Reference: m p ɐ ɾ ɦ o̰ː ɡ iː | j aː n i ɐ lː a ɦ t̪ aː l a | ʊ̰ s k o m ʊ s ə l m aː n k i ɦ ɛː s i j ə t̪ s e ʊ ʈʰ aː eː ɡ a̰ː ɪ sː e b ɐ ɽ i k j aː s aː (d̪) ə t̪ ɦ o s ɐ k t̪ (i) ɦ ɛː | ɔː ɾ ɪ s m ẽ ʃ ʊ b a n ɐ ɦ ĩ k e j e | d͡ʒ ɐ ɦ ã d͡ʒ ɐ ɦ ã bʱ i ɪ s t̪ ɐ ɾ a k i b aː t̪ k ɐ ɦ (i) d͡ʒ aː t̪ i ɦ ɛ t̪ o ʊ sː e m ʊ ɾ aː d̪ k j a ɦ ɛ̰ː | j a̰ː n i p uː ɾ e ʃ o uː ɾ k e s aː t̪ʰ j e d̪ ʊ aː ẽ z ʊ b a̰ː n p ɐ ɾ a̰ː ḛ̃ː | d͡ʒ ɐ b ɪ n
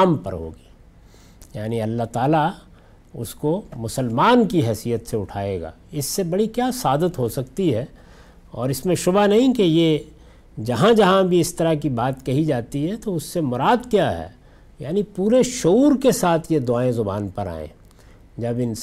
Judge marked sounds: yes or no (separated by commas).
yes, yes, yes